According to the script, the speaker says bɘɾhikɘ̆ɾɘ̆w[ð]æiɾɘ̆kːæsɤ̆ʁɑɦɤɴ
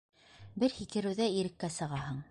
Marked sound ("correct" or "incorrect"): correct